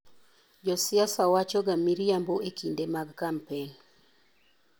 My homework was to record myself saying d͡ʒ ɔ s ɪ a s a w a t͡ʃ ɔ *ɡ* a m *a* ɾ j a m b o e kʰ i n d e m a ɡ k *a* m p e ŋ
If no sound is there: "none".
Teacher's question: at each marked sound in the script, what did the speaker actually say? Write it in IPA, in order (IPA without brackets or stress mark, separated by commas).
ɡ, i, a